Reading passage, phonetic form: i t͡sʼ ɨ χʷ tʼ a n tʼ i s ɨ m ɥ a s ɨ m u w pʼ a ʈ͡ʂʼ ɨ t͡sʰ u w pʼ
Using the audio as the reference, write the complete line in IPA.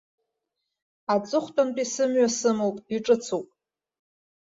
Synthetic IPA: a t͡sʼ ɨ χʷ tʼ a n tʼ i s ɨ m ɥ a s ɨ m o w pʼ i ʈ͡ʂʼ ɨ t͡sʰ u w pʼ